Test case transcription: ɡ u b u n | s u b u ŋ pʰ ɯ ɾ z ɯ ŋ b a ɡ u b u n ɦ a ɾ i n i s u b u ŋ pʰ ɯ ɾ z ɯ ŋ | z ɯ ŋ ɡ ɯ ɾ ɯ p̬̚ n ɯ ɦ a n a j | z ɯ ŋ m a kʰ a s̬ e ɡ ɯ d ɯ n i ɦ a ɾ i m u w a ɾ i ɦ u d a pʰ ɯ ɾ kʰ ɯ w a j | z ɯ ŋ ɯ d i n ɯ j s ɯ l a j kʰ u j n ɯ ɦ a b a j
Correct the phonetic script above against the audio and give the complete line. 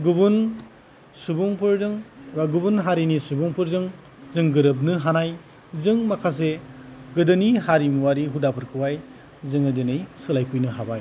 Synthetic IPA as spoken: ɡ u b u n | s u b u ŋ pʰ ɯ ɾ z ɯ ŋ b a ɡ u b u n ɦ a ɾ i n i s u b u ŋ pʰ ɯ ɾ z ɯ ŋ | z ɯ ŋ ɡ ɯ ɾ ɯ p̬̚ n ɯ ɦ a n a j | z ɯ ŋ m a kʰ a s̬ e ɡ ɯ d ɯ n i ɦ a ɾ i m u w a ɾ i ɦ u d a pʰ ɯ ɾ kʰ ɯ w a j | z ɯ ŋ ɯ d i n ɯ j s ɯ l a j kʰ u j n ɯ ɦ a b a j

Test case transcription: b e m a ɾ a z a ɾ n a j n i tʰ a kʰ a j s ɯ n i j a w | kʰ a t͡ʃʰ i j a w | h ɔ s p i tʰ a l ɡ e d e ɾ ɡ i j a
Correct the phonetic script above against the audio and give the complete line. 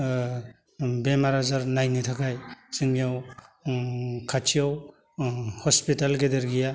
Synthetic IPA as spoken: b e m a ɾ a z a ɾ n a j n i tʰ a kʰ a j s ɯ ŋ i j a w | kʰ a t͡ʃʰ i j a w | h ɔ s p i t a l ɡ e d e ɾ ɡ i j a

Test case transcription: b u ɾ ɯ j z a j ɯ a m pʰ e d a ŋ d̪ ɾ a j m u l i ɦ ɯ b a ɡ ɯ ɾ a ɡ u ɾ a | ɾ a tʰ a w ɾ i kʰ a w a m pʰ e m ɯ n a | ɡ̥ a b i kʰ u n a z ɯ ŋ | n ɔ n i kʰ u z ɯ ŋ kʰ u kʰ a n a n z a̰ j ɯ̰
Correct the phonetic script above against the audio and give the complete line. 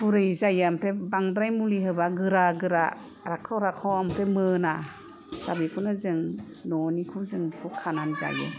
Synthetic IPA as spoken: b u ɾ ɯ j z a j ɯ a m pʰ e b a ŋ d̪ ɾ a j m u l i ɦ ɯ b a ɡ ɯ ɾ a ɡ ɯ ɾ a | ɾ a kʰ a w ɾ a kʰ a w a m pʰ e m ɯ n a | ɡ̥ a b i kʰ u n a z ɯ ŋ | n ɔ n i kʰ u z ɯ ŋ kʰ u kʰ a n a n z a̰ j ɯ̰

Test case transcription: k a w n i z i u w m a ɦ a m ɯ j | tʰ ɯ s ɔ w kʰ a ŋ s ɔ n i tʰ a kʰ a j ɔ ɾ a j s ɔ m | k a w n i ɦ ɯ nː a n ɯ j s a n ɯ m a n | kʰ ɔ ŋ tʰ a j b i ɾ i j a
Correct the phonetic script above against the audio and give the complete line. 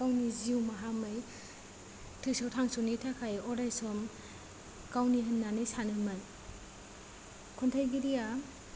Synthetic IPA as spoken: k a w n i z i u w m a ɦ a m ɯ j | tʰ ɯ s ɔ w tʰ a ŋ s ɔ n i tʰ a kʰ a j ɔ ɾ a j s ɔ m | k a w n i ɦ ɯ nː a n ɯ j s a n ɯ m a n | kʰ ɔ n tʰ a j ɡ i ɾ i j a

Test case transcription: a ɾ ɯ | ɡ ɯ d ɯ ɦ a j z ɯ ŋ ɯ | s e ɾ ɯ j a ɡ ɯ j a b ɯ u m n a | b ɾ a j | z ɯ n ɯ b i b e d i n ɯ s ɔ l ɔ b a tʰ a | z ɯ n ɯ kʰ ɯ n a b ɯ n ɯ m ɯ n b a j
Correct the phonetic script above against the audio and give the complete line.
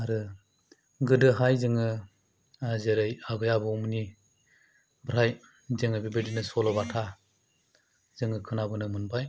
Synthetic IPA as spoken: a ɾ ɯ | ɡ ɯ d ɯ ɦ a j z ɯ ŋ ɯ | z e ɾ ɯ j a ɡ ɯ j a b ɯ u m n i | b ɾ a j | z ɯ ŋ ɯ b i b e d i n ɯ s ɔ l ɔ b a tʰ a | z ɯ ŋ ɯ kʰ ɯ n a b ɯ n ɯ m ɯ n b a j

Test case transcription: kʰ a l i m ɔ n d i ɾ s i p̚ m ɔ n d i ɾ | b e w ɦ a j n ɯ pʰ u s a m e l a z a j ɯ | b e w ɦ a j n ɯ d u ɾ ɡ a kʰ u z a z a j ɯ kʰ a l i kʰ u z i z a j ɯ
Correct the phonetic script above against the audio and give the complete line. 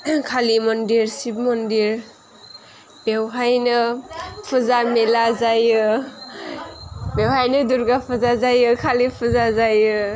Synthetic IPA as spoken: kʰ a l i m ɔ n d i ɾ s i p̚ m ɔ n d i ɾ | b e w ɦ a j n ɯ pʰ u z a m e l a z a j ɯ | b e w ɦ a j n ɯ d u ɾ ɡ a pʰ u z a z a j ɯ kʰ a l i pʰ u z a z a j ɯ

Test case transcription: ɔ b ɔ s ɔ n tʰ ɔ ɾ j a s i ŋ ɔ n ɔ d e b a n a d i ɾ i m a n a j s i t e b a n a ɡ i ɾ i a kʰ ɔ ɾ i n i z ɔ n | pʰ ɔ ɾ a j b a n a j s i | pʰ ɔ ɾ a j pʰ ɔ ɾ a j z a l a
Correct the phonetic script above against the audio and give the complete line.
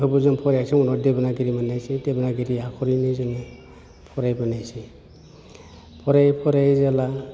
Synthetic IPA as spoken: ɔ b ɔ z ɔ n pʰ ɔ ɾ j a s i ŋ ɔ n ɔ d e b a n a ɡ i ɾ i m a n a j s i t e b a n a ɡ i ɾ i a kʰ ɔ ɾ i n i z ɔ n | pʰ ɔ ɾ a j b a n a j s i | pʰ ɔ ɾ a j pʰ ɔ ɾ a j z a l a

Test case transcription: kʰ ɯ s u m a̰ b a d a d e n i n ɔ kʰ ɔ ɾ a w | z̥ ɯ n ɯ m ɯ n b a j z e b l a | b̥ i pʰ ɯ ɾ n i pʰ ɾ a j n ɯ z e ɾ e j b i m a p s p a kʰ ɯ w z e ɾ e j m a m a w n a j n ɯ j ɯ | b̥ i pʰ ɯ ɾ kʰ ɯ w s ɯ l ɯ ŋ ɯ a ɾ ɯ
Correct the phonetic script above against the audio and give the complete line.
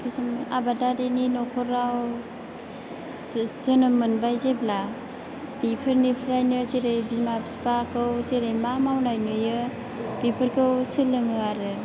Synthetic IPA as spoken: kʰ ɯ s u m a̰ b a d a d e n i n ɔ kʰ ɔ ɾ a w | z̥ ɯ n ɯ m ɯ n b a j z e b l a | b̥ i pʰ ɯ ɾ n i pʰ ɾ a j n ɯ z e ɾ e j b i m a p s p a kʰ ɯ w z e ɾ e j m a m a w n a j n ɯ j ɯ | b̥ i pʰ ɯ ɾ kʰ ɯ w s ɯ l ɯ ŋ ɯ a ɾ ɯ

